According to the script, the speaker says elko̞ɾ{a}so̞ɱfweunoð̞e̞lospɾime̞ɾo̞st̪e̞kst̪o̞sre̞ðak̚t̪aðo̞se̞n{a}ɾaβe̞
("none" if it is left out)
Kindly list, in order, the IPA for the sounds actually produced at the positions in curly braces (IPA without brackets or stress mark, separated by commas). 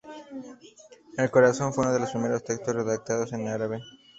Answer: a, a